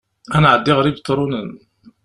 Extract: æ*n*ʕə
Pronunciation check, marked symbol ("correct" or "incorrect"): correct